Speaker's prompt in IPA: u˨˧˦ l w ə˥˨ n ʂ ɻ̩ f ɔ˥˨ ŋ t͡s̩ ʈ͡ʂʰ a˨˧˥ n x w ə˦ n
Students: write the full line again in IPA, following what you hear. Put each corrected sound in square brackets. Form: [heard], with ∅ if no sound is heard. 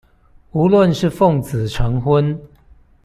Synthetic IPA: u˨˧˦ l w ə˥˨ n ʂ ɻ̩ f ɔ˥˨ ŋ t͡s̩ ʈ͡ʂʰ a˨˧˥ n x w ə˦ n